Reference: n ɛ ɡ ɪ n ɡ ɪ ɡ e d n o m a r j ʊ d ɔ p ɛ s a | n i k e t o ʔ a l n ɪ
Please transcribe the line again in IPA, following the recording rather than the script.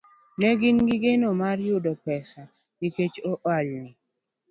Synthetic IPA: n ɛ ɡ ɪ n ɡ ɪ ɡ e n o m a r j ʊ d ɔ p ɛ s a | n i k e t͡ʃ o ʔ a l n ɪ